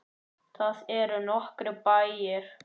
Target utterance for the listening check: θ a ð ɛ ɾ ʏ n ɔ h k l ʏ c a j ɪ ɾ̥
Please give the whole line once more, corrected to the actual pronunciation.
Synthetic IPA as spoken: θ a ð ɛ ɾ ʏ n ɔ h k ɾ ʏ p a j ɪ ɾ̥